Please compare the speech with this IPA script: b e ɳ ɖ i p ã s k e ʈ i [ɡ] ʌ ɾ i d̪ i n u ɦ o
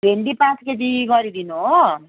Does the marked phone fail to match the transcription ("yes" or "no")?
no